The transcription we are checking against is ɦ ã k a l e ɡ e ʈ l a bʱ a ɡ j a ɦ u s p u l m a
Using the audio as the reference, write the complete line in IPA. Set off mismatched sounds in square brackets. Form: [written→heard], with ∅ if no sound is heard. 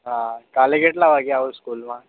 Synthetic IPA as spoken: ɦ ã k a l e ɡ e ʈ l a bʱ a ɡ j a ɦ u s [p→k] u l m a